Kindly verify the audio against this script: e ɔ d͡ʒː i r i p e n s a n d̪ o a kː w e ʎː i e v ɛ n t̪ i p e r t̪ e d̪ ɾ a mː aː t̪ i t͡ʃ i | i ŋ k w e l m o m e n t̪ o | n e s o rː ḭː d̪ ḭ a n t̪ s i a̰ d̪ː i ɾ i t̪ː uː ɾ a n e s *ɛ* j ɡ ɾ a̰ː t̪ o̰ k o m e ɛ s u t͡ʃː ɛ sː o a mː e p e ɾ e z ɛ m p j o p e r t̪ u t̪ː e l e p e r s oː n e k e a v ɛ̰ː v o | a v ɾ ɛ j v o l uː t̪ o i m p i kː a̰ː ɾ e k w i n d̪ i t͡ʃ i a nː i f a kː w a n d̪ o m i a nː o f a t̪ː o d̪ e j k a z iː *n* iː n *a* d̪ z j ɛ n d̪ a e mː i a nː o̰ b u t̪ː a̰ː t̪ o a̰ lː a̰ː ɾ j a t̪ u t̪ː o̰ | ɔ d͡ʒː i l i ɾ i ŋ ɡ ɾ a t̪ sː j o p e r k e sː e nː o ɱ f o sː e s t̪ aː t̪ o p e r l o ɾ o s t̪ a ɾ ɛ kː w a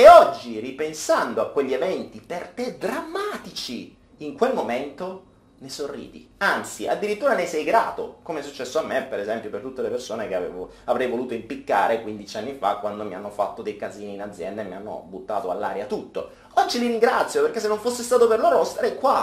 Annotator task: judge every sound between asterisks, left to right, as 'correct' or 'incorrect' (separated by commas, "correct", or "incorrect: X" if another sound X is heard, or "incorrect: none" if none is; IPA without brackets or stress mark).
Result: correct, correct, correct